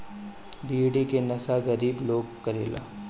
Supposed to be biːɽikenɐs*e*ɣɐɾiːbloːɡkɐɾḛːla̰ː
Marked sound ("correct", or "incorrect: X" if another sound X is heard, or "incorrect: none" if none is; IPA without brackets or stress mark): incorrect: a